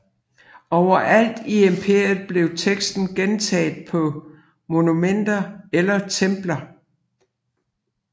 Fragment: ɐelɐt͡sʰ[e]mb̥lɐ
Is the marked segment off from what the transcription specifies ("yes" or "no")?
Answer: no